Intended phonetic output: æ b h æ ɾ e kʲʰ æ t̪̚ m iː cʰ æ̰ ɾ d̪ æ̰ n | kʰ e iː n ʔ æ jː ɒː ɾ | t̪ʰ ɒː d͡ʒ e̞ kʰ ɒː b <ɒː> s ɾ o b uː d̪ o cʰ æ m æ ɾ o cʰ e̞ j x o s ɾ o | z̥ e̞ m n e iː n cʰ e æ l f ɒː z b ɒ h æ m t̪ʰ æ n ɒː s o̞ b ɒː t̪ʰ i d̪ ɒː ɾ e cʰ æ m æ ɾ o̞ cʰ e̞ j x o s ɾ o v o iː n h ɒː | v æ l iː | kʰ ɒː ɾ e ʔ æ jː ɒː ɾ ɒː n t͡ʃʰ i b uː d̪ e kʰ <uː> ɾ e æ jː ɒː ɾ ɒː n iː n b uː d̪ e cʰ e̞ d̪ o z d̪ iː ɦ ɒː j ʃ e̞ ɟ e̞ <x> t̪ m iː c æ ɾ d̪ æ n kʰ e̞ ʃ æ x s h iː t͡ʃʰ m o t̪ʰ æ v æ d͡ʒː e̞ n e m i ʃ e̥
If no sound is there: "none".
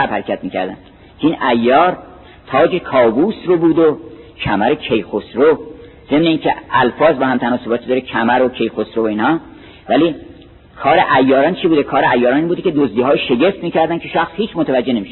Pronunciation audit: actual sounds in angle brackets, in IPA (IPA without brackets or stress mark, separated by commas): uː, ɒː, f